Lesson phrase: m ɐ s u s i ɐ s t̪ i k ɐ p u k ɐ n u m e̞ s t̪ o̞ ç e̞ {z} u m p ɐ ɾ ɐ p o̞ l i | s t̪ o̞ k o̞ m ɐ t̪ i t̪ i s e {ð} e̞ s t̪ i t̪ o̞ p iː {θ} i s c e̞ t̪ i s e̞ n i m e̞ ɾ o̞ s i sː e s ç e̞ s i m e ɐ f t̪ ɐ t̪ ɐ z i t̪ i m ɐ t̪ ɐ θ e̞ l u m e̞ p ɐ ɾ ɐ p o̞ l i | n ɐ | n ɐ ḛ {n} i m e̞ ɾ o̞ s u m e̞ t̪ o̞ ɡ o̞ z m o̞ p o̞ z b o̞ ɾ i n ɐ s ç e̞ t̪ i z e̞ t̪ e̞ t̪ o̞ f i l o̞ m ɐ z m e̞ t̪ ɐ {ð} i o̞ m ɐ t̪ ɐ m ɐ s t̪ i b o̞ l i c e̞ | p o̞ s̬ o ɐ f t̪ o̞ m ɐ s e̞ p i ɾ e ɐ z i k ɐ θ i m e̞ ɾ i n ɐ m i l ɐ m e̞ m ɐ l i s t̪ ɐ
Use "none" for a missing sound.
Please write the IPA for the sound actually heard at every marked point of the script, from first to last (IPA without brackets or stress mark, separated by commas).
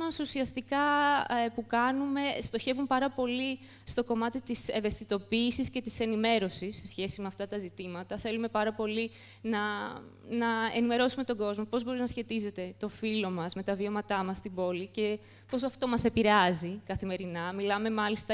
v, v, s, n, v